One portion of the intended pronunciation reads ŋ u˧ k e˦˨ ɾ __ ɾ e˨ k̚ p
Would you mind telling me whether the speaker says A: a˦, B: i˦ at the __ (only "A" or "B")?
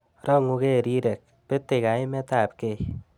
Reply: B